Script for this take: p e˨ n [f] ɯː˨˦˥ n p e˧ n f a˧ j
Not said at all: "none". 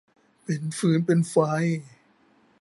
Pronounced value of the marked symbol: f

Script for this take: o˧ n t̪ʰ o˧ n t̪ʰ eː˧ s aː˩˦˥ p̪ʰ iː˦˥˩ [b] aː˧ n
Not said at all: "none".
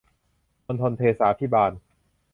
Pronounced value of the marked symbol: b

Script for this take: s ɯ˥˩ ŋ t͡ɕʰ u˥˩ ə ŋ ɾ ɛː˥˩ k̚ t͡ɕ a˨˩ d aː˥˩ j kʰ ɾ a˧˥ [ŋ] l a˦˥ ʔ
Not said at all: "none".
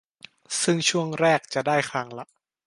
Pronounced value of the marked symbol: ŋ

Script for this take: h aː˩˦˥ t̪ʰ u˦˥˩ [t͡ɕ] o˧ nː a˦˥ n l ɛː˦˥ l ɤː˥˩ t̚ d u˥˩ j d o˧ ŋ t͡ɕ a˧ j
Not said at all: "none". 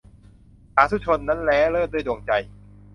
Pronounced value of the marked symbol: t͡ɕʰ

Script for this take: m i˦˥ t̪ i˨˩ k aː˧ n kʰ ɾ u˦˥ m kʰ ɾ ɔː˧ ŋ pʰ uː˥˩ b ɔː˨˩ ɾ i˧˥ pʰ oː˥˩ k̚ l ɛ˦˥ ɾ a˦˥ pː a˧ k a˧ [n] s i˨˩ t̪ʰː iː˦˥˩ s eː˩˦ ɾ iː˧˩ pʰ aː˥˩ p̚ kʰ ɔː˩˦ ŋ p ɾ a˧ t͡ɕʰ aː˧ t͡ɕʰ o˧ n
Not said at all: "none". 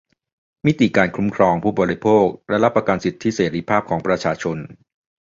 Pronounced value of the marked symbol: n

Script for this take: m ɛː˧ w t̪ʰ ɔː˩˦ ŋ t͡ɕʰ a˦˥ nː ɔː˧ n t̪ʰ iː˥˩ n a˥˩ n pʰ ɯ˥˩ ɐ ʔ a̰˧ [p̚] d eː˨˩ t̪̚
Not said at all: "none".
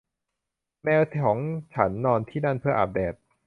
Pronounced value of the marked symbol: p̚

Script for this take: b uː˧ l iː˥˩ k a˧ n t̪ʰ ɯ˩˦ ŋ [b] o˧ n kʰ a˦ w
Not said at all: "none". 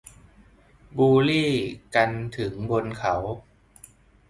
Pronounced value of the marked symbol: b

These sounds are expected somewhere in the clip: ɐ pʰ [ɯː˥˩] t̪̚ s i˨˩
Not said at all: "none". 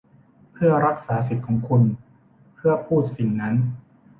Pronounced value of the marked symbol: uː˥˩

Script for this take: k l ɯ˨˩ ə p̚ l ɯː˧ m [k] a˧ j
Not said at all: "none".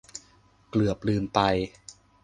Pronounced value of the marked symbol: p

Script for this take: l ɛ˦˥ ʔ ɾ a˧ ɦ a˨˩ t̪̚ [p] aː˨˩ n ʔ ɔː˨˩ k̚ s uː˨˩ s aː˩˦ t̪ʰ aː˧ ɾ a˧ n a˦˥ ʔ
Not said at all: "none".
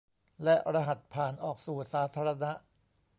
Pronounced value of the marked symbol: pʰ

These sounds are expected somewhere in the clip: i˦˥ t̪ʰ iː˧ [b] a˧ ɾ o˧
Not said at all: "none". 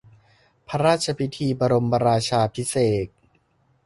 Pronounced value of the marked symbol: b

